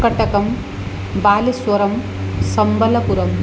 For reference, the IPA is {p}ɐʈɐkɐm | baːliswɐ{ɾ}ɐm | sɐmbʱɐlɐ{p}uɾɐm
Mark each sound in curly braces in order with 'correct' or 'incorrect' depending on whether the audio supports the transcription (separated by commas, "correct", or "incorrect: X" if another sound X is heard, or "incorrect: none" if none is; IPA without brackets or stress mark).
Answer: incorrect: k, correct, correct